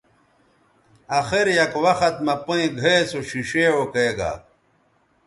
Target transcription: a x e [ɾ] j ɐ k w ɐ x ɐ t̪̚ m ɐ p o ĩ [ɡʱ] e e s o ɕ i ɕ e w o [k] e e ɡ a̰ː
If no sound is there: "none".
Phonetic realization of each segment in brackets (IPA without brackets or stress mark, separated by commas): ɾ, ɡʱ, k